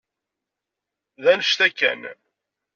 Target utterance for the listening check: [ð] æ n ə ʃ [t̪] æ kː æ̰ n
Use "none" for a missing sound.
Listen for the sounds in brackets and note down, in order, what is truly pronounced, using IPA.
ð, t̪

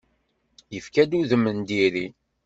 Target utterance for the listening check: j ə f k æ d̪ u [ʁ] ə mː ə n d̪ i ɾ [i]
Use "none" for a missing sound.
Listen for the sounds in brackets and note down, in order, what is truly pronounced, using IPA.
ð, i

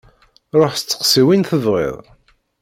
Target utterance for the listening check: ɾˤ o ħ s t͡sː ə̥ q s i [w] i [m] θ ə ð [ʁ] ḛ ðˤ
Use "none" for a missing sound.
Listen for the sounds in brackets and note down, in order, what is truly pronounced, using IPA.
w, n, ʁ

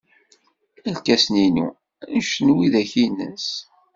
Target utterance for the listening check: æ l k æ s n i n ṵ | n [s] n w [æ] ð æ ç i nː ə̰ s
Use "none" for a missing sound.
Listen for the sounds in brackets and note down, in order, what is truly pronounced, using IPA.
ʃ, i

